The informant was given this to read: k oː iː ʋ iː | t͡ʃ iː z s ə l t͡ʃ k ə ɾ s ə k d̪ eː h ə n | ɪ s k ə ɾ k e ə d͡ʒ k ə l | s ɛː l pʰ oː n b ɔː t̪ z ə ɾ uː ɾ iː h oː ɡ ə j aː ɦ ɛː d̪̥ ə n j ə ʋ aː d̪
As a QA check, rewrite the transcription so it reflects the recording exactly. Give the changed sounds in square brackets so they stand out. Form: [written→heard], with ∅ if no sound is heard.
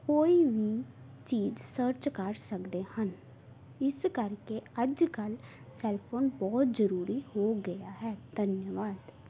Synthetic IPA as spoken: k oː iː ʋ iː | t͡ʃ iː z s ə [l→ɾ] t͡ʃ k ə ɾ s ə k d̪ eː h ə n | ɪ s k ə ɾ k e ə d͡ʒ k ə l | s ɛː l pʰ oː n b ɔː t̪ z ə ɾ uː ɾ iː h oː ɡ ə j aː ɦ ɛː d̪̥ ə n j ə ʋ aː d̪